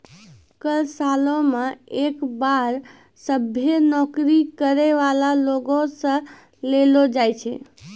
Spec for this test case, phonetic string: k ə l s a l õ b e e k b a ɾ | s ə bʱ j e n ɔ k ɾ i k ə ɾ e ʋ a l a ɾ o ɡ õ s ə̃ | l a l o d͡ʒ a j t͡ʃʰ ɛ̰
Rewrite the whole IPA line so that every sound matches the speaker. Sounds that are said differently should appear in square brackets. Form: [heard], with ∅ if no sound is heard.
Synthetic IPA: k ə l s a l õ [m] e e k b a ɾ | s ə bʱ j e n ɔ k ɾ i k ə ɾ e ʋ a l a [l] o ɡ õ s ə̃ | l [e] l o d͡ʒ a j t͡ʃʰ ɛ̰